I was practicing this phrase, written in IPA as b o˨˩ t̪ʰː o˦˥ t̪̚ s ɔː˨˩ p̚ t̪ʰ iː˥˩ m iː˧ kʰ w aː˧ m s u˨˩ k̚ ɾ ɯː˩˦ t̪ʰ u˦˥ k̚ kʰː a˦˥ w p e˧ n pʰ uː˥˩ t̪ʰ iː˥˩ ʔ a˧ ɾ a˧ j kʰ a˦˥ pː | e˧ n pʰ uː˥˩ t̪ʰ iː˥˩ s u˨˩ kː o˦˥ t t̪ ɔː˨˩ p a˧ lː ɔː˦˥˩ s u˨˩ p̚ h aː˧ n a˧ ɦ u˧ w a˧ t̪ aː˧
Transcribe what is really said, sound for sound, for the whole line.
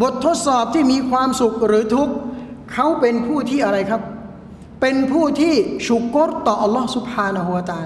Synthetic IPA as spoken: b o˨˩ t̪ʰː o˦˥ t̪̚ s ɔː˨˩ p̚ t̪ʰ iː˥˩ m iː˧ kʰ w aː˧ m s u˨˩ k̚ ɾ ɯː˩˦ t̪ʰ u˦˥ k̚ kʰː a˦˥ w p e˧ n pʰ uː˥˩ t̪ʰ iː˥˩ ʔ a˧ ɾ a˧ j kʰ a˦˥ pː | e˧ n pʰ uː˥˩ t̪ʰ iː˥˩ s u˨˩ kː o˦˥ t t̪ ɔː˨˩ ʔ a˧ lː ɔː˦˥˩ s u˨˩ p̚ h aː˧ n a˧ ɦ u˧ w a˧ t̪ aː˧